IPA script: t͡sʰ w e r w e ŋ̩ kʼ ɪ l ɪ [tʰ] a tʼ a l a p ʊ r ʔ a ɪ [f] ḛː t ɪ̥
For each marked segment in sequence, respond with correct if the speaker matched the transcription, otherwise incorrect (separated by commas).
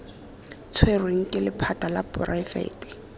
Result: incorrect, correct